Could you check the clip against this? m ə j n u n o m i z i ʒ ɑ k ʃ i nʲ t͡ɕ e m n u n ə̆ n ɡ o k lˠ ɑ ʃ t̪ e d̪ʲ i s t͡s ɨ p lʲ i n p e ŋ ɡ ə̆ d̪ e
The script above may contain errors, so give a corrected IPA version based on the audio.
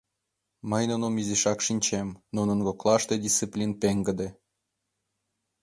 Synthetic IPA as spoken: m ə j n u n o m i z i ʃ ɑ k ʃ i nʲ t͡ɕ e m n u n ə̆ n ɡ o k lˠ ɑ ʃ t̪ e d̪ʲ i s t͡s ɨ p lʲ i n p e ŋ ɡ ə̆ d̪ e